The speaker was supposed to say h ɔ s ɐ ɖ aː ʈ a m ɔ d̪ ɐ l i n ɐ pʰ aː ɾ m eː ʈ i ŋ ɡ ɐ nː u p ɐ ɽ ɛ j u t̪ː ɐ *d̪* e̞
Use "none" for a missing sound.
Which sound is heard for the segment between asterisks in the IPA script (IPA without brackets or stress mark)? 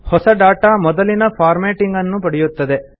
d̪